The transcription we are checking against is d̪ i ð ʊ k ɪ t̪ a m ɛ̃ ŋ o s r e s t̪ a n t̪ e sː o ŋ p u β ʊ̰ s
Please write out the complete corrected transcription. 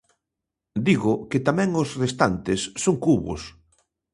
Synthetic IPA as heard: d̪ i ɣ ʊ k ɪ t̪ a m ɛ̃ ŋ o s r e s t̪ a n t̪ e sː o ŋ k u β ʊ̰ s